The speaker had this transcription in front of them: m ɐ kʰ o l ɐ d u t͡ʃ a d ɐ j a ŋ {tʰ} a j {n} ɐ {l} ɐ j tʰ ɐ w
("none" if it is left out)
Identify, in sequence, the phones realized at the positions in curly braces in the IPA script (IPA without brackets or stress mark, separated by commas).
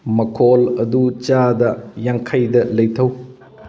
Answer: kʰ, d, l